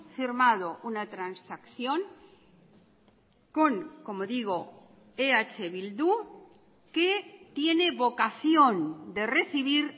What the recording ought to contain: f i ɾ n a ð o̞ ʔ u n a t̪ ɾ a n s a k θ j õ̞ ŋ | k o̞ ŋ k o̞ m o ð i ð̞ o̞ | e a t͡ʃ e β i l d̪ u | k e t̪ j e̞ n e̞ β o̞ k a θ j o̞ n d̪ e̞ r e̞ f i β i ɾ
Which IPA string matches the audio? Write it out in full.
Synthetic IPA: f i ɾ m a ð o̞ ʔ u n a t̪ ɾ a n s a k θ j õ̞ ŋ | k o̞ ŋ k o̞ m o ð i ɣ̞ o̞ | e a t͡ʃ e β i l d̪ u | k e t̪ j e̞ n e̞ β o̞ k a θ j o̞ n d̪ e̞ r e̞ θ i β i ɾ